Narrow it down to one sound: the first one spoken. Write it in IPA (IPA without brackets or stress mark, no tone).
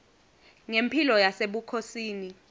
ŋ